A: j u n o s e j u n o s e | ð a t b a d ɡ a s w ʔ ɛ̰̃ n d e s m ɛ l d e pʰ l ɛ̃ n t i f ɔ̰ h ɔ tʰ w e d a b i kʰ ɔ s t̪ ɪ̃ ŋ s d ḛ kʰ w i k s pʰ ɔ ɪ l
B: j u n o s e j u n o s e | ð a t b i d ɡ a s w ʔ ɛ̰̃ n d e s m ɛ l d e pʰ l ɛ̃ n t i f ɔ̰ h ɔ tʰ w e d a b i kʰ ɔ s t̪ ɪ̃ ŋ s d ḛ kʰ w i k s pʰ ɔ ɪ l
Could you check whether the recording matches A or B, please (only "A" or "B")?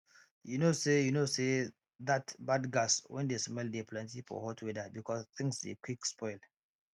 A